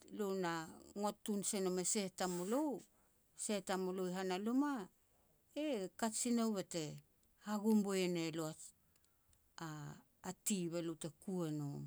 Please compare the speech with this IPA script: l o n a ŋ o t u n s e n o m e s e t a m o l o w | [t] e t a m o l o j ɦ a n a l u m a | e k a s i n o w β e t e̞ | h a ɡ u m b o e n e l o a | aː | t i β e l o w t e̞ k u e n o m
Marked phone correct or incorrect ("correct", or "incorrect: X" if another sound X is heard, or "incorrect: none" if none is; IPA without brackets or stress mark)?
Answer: incorrect: s